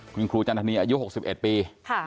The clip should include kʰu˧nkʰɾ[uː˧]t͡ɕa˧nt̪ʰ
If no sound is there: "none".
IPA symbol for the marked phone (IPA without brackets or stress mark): uː˧